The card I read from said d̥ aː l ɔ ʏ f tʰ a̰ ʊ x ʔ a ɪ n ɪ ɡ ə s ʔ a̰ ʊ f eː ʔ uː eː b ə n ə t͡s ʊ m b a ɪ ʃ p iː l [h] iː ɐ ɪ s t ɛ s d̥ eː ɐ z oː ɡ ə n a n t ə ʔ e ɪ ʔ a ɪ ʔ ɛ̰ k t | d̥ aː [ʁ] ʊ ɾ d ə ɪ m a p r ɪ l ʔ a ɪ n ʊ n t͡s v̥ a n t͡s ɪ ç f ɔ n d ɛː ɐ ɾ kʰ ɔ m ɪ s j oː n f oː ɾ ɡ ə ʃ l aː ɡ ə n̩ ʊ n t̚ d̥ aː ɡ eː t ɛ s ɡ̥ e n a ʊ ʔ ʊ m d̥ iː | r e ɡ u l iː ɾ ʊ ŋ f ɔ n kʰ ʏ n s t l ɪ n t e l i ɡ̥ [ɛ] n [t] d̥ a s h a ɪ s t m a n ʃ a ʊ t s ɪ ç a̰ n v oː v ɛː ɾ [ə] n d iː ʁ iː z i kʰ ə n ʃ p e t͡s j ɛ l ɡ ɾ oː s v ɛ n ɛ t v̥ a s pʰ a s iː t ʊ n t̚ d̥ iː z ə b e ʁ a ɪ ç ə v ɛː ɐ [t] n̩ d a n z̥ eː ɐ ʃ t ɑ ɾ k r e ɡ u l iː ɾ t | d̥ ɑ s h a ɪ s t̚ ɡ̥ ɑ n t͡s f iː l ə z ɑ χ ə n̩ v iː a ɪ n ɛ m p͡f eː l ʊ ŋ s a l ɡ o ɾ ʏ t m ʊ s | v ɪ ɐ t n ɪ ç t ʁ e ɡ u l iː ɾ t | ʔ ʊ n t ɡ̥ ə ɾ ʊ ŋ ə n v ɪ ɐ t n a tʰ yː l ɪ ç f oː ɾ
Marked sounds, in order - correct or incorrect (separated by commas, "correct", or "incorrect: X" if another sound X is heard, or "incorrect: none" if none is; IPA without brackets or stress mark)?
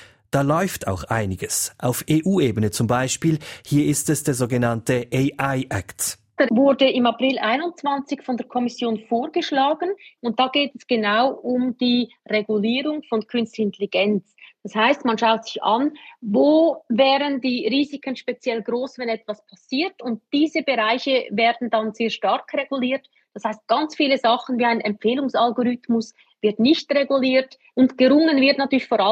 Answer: correct, incorrect: v, correct, incorrect: t͡s, correct, incorrect: d